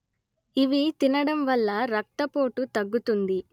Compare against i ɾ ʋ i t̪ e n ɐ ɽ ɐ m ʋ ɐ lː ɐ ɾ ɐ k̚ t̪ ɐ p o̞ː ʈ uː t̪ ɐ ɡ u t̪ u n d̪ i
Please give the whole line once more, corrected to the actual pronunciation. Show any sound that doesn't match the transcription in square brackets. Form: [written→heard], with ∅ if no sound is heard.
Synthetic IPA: i [ɾ→∅] ʋ i t̪ [e→i] n ɐ ɽ ɐ m ʋ ɐ lː ɐ ɾ ɐ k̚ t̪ ɐ p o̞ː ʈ [uː→u] t̪ ɐ [ɡ→ɡː] u t̪ u n d̪ i